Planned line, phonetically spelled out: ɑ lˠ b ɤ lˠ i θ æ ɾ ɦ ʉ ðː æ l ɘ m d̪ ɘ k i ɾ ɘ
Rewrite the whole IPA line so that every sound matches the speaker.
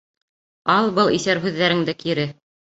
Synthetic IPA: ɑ lˠ b ɤ lˠ i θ æ ɾ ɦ ʉ ðː æ ɾ ɘ ŋ d̪ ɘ k i ɾ ɘ